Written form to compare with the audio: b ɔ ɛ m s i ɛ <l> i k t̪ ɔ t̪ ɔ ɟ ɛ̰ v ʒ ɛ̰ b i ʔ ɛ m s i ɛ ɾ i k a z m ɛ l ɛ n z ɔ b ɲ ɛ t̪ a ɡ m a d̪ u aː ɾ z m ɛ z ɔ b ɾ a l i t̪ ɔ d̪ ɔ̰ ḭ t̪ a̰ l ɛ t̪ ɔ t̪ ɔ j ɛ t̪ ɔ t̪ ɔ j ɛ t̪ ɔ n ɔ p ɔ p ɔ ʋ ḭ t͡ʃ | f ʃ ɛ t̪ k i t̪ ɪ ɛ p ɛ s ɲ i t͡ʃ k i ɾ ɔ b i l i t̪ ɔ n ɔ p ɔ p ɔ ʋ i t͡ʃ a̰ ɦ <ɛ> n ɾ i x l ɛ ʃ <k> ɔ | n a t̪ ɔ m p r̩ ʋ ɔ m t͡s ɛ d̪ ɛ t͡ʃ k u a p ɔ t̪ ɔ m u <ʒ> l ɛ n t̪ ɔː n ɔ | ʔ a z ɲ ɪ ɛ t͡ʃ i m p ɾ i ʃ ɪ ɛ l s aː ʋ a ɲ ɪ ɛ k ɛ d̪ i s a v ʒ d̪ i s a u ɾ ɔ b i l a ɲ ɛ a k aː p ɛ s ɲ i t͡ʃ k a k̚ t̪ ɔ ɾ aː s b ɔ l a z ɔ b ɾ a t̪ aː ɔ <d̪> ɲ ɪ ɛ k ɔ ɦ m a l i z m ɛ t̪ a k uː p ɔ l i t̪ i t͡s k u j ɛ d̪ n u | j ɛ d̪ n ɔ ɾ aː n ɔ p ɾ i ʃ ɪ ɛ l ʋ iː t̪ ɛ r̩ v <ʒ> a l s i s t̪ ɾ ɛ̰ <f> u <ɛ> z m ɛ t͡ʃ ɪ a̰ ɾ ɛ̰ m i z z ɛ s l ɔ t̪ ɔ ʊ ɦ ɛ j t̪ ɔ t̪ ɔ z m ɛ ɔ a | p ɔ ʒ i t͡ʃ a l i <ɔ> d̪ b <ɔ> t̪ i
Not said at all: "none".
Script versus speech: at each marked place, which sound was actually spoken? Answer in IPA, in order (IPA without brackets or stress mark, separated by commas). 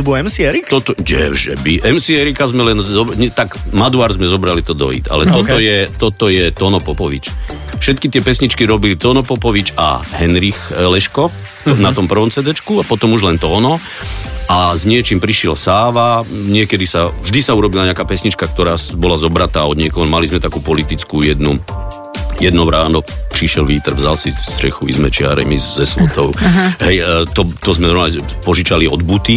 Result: ɾ, ɛ, k, ʒ, d̪, z, x, i, ɔ, u